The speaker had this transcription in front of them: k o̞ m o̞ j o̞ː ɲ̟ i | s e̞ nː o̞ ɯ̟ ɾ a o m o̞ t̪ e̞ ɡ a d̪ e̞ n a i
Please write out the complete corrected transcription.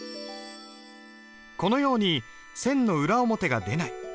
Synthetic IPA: k o̞ n o̞ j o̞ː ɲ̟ i | s ẽ̞ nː o̞ ɯ̟ ɾ a o m o̞ t̪ e̞ ɡ a d̪ e̞ n a i